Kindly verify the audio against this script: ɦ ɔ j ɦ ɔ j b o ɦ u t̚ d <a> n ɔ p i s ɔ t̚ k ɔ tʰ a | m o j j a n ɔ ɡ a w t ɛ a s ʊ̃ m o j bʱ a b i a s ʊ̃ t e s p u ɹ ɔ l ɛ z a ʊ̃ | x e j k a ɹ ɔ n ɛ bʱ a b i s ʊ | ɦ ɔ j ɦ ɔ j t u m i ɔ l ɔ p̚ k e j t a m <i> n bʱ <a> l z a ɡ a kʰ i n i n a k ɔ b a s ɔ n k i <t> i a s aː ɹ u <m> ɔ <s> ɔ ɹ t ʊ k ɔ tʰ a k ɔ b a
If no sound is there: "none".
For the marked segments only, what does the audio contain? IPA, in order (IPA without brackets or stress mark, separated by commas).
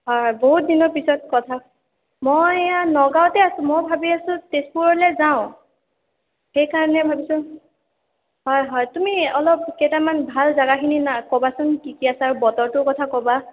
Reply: i, a, a, k, b, t